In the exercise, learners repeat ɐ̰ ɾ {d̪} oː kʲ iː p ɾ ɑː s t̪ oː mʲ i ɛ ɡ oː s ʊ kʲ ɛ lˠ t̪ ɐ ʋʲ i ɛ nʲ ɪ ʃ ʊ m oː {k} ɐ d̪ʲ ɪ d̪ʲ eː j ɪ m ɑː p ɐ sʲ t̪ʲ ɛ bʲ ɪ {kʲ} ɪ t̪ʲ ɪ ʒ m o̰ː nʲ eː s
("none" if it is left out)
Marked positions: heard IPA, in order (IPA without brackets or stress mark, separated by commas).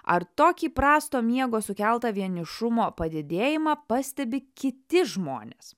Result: t̪, p, kʲ